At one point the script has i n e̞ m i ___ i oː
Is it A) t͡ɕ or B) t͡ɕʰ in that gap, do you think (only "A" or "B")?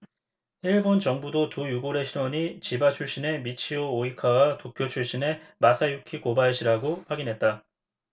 B